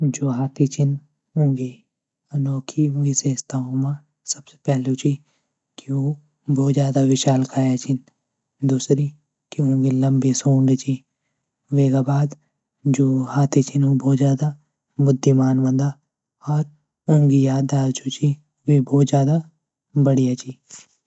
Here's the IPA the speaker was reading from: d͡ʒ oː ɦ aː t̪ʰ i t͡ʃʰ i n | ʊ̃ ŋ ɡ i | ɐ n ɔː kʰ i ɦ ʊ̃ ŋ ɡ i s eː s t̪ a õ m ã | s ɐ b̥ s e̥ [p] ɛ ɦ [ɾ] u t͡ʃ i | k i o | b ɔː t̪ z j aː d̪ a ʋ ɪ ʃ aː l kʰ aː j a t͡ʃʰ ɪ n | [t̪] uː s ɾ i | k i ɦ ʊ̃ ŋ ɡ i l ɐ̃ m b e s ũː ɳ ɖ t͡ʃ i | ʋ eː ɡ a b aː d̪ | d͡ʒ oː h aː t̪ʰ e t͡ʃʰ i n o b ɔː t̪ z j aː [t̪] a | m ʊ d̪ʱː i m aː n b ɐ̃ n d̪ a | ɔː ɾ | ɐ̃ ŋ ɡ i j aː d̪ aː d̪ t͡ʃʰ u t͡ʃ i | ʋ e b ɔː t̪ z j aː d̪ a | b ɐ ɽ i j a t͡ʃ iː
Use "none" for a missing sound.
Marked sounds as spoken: p, l, d̪, d̪

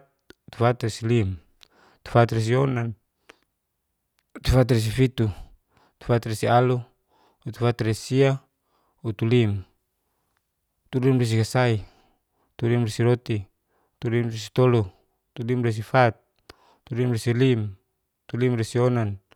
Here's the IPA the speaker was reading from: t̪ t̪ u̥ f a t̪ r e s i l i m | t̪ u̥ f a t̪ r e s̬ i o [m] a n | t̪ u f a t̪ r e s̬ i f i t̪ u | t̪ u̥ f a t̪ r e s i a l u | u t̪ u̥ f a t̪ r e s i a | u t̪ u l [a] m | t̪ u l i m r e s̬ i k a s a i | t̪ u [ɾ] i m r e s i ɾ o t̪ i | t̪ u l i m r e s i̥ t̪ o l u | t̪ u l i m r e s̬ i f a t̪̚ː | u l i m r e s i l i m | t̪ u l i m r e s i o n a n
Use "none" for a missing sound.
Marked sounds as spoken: n, i, l

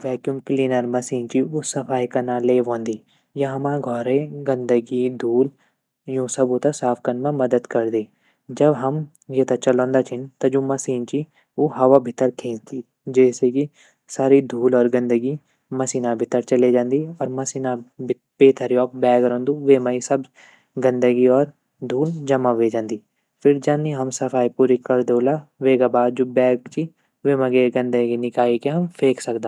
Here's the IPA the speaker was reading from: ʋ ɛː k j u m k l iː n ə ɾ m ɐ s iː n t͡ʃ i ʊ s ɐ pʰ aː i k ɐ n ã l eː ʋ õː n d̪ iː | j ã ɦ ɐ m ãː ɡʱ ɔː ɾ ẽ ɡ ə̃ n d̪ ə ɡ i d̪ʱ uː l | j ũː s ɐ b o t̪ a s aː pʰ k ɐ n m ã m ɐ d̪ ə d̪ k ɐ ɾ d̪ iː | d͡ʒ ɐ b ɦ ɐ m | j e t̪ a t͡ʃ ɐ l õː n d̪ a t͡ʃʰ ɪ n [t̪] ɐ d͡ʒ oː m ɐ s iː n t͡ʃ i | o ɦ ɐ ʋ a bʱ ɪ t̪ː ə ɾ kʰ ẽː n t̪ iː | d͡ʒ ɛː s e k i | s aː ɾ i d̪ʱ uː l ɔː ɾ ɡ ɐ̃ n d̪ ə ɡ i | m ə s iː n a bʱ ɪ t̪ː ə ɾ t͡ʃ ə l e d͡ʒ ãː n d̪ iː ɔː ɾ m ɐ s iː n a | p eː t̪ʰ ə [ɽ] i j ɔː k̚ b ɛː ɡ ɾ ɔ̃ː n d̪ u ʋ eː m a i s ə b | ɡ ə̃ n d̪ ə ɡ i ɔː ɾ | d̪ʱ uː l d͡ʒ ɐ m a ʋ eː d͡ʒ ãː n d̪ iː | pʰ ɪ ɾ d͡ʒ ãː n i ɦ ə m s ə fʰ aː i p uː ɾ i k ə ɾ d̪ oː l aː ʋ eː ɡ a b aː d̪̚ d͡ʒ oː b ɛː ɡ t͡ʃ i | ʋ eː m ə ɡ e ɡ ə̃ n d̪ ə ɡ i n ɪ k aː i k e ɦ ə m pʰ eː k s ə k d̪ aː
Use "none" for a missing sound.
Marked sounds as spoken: t̪, ɾ

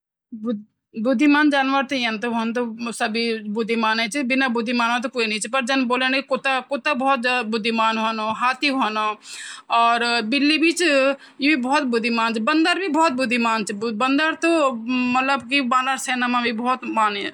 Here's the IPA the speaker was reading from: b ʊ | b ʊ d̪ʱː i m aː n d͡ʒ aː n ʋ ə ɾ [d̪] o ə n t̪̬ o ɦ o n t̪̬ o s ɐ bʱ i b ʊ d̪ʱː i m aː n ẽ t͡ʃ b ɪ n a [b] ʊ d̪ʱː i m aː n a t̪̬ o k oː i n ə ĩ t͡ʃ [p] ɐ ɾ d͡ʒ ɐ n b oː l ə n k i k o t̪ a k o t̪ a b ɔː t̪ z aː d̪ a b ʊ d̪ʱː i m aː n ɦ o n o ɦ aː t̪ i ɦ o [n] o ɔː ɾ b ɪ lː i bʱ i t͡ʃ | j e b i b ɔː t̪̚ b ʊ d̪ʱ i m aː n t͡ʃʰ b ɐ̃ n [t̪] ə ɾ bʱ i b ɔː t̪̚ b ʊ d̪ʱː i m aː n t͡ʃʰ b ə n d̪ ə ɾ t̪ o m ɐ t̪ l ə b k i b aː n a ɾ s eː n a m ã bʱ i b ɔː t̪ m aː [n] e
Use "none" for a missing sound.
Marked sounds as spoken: t̪, b, p, n, d̪, n

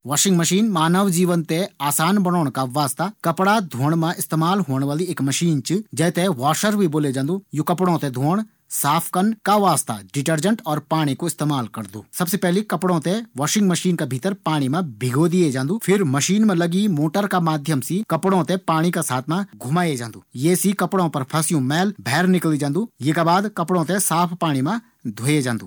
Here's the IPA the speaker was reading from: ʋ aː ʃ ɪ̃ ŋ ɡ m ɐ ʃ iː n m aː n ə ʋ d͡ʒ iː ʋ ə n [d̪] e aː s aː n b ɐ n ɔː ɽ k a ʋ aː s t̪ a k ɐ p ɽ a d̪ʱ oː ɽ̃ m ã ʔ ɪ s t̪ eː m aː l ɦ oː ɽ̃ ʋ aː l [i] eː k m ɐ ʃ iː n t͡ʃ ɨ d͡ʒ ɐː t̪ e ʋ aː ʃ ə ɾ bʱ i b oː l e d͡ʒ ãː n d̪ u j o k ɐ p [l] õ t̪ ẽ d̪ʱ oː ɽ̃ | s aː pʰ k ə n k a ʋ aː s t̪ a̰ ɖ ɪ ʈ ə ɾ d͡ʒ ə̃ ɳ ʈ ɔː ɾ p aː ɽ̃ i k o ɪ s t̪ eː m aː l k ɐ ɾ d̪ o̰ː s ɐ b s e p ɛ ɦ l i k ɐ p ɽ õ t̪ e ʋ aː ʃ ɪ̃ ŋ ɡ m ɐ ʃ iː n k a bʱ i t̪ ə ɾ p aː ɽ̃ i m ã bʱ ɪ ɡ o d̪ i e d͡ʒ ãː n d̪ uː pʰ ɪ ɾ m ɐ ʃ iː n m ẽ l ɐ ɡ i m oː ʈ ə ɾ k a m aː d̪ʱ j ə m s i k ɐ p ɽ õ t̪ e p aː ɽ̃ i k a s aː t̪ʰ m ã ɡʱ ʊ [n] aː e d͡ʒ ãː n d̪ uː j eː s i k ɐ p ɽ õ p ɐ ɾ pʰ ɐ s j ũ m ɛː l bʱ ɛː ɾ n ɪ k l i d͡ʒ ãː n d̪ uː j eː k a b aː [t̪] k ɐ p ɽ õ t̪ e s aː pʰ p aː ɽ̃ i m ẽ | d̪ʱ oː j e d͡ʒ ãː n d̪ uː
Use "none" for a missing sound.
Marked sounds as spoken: t̪, i, ɽ, m, d̪

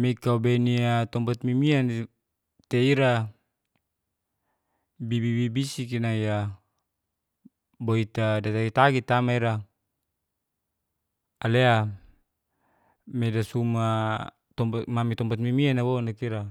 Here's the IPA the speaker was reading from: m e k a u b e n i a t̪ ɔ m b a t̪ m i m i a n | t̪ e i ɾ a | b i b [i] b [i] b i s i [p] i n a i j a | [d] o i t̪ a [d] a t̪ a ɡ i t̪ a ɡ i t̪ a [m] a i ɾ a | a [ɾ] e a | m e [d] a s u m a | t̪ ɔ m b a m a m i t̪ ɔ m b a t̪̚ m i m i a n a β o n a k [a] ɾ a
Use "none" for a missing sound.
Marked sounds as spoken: i, i, k, b, d, m, l, d, i

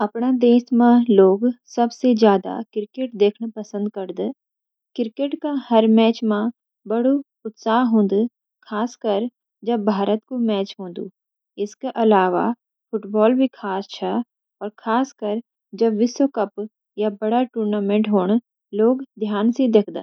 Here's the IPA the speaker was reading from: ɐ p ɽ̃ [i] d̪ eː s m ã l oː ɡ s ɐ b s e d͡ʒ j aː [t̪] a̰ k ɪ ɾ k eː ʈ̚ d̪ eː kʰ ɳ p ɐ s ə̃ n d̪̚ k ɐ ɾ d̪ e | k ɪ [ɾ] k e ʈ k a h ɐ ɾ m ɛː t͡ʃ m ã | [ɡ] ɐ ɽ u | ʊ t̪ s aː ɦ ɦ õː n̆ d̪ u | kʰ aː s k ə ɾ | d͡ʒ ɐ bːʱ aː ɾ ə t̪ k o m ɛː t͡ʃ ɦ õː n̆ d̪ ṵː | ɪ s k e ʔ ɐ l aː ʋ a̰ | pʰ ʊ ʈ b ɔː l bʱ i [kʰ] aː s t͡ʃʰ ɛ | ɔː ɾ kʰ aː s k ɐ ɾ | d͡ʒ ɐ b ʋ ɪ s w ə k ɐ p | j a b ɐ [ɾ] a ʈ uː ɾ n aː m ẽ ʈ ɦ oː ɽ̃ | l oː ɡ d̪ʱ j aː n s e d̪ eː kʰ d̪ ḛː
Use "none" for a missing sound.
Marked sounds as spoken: a, d̪, ɾ, b, kʰ, ɽ

